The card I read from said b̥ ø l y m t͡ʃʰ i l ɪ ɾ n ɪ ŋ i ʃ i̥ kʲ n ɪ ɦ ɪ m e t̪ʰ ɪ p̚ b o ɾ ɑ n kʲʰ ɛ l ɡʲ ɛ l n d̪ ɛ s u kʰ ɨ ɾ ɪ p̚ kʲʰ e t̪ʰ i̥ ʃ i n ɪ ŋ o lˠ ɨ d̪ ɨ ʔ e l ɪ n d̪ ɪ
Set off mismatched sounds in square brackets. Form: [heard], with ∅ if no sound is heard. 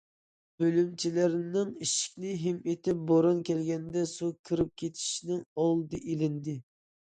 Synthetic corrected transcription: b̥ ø l y m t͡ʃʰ i l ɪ ɾ n ɪ ŋ i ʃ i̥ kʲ n ɪ ɦ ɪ m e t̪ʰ ɪ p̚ b o ɾ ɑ n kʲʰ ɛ l ɡʲ ɛ [∅] n d̪ ɛ s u kʰ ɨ ɾ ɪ p̚ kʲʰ e t̪ʰ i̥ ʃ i n ɪ ŋ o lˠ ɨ d̪ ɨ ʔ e l ɪ n d̪ ɪ